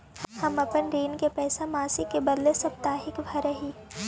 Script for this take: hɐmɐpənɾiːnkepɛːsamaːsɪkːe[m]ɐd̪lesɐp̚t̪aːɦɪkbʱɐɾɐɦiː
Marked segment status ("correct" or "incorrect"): incorrect